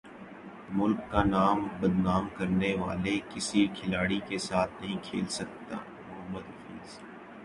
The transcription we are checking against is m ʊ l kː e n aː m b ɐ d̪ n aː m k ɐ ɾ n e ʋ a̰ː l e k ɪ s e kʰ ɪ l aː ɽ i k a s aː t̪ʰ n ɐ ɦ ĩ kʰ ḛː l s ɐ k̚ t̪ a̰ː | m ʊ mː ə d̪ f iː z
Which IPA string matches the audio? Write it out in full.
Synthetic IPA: m ʊ l kː a n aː m b ɐ d̪ n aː m k ɐ ɾ n e ʋ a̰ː l e k ɪ s i kʰ ɪ l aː ɽ i k e s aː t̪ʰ n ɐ ɦ ĩ kʰ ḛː l s ɐ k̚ t̪ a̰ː | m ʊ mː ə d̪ f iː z